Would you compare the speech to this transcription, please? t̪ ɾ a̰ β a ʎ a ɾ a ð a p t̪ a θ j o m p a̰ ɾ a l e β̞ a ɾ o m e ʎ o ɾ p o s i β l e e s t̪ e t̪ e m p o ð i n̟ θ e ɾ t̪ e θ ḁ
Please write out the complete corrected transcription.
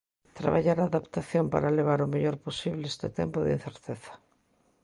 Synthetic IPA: t̪ ɾ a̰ β a ʎ a ɾ a ð a p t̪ a θ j o m p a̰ ɾ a l e β̞ a ɾ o m e ʎ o ɾ p o s i β l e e s t̪ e t̪ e m p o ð i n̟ θ e ɾ t̪ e θ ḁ